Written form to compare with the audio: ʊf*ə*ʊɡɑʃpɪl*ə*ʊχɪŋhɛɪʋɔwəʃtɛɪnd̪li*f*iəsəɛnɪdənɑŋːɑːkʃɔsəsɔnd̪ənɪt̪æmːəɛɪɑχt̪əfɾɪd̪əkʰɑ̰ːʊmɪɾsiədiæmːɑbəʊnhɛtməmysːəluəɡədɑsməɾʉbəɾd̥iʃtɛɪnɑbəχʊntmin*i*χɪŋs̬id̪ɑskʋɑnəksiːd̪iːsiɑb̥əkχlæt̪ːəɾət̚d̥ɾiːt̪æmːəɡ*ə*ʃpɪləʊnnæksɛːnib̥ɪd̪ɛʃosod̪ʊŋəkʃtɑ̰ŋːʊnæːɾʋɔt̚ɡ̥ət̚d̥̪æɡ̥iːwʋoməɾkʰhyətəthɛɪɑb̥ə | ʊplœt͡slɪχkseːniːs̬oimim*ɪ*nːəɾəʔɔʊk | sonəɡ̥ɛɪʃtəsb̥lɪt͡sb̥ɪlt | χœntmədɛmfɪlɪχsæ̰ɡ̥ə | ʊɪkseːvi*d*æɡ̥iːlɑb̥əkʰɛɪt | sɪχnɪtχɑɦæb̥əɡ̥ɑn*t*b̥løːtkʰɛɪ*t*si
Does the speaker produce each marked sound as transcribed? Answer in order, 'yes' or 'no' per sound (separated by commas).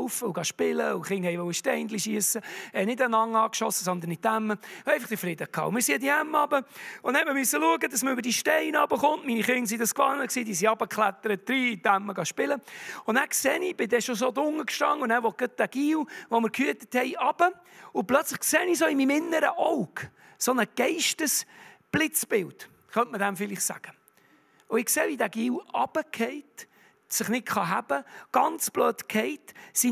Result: yes, yes, no, yes, no, yes, yes, no, yes